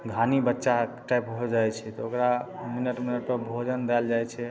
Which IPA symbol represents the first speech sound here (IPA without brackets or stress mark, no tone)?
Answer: ɡʱ